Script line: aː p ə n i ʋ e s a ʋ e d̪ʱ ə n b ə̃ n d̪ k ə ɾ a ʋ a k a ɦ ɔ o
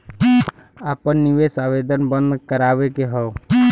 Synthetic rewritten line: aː p ə nː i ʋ e s a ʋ e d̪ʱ ə n b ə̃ n d̪ k ə ɾ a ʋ e k e ɦ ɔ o